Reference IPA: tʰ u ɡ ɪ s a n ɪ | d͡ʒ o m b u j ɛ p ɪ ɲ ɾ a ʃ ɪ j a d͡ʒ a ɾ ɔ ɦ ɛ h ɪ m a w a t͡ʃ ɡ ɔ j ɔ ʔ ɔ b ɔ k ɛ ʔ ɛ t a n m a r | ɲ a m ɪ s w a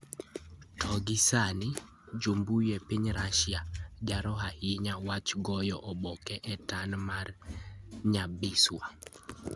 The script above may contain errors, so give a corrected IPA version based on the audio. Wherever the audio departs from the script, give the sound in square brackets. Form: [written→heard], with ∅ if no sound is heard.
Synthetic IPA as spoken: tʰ [u→ɔ] ɡ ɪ s a n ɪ | d͡ʒ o m b u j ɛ p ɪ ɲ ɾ a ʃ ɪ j a d͡ʒ a ɾ ɔ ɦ [ɛ→a] h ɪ [m→ɲ] a w a t͡ʃ ɡ ɔ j ɔ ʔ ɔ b ɔ k ɛ ʔ ɛ t a n m a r | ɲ a [m→b] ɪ s w a